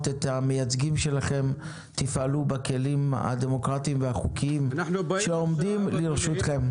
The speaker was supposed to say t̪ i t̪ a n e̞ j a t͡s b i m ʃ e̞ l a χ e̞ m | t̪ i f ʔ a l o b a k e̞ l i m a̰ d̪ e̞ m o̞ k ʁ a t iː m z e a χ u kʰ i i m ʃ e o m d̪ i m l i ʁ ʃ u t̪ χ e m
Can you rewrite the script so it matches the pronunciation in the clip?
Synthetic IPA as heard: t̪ e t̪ a m e̞ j a t͡s ɡ i m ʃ e̞ l a χ e̞ m | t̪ i f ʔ a l u b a k e̞ l i m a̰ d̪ e̞ m o̞ k ʁ a t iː m v e a χ u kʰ i i m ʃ e o m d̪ i m l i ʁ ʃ u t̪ χ e m